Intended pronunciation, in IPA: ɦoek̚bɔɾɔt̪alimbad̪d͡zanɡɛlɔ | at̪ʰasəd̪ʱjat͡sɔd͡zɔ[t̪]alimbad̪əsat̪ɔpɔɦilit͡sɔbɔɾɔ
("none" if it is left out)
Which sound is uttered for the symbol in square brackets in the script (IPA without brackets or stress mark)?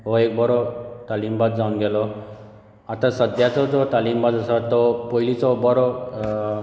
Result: t̪